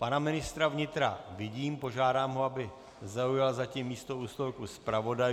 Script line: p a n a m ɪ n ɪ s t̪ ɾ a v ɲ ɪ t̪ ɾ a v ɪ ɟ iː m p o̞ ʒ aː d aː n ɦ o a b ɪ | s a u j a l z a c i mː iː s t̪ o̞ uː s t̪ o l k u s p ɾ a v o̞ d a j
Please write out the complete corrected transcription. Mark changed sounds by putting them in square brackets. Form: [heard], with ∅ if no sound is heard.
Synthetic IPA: p a n a m ɪ n ɪ s t̪ ɾ a v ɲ ɪ t̪ ɾ a v ɪ ɟ iː m p o̞ ʒ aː d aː [m] ɦ o a b ɪ | [z] a u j a l z a c i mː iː s t̪ o̞ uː s t̪ o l k u s p ɾ a v o̞ d a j

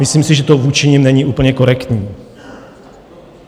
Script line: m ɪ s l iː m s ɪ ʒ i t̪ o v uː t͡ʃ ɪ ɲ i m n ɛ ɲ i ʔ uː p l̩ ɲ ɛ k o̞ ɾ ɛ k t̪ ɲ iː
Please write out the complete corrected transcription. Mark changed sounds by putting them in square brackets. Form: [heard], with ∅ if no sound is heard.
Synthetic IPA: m ɪ s l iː m s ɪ ʒ [ɛ] t̪ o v uː t͡ʃ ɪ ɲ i m n ɛ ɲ i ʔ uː p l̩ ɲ ɛ k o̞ ɾ ɛ k t̪ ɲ iː

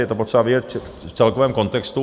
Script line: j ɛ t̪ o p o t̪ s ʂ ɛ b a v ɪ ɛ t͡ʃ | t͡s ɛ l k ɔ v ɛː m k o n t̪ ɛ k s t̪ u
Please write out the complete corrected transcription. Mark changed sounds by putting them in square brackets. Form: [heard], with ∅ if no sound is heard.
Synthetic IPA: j ɛ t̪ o p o t̪ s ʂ ɛ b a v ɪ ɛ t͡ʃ | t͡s ɛ l k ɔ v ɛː m k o n t̪ ɛ k s t̪ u

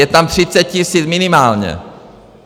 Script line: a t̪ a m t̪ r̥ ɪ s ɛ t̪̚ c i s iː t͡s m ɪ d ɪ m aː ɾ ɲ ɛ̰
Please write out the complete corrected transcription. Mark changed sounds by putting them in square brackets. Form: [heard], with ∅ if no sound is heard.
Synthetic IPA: [ɛ] t̪ a m t̪ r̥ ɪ [t͡s] ɛ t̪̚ c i s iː t͡s m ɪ [n] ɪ m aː [l] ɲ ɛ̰

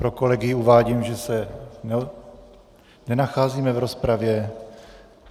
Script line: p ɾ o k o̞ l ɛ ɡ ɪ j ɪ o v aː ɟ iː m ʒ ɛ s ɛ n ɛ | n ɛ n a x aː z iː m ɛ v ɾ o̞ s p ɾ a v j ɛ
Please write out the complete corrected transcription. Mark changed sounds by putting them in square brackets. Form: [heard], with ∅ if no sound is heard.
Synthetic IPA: p ɾ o k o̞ l ɛ ɡ ɪ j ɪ [u] v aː ɟ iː m ʒ ɛ s ɛ n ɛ | n ɛ n a x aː z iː m ɛ v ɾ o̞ s p ɾ a v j ɛ

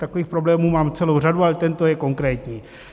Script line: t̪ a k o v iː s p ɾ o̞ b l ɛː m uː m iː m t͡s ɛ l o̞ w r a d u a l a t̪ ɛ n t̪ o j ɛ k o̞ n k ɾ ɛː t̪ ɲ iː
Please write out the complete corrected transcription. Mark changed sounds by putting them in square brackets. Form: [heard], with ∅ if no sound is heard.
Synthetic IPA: t̪ a k o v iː [x] p ɾ o̞ b l ɛː m uː m [aː] m t͡s ɛ l o̞ w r a d u a l [ɛ] t̪ ɛ n t̪ o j ɛ k o̞ [ŋ] k ɾ ɛː t̪ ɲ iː

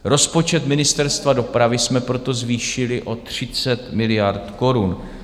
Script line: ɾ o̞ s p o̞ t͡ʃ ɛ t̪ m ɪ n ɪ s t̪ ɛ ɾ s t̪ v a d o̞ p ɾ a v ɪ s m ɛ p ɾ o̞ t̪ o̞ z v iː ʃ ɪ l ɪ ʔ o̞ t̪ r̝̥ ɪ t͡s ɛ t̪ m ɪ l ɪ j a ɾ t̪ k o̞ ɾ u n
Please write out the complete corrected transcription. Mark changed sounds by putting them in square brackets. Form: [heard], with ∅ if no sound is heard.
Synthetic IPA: ɾ o̞ s p o̞ t͡ʃ ɛ t̪ m ɪ n ɪ s t̪ ɛ ɾ s t̪ v a d o̞ p ɾ a v ɪ s m ɛ p ɾ o̞ t̪ o̞ z v iː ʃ ɪ l ɪ ʔ o̞ t̪ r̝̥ ɪ t͡s ɛ t̪ m ɪ l ɪ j a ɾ t̪ k o̞ ɾ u n

